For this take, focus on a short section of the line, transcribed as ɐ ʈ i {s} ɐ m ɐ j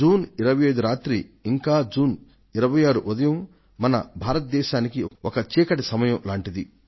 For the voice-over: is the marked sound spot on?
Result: yes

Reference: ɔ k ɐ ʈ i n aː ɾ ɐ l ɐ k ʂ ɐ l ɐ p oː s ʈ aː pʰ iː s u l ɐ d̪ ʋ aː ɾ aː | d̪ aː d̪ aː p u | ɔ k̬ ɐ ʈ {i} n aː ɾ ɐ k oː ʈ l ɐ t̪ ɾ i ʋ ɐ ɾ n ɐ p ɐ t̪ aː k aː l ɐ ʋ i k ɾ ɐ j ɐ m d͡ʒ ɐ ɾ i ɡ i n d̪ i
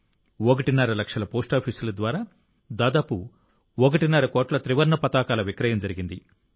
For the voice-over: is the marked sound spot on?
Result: yes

